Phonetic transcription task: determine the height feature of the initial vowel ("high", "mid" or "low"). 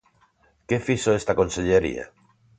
mid